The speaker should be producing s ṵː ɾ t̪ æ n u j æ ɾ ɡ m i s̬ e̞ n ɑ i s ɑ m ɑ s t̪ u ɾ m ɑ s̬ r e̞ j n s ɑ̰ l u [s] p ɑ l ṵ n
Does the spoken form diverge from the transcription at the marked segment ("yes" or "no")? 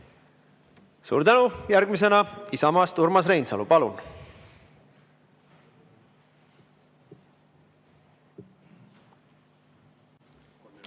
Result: yes